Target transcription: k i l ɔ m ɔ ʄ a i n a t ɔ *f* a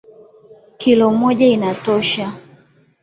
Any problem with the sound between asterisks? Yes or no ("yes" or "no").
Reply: yes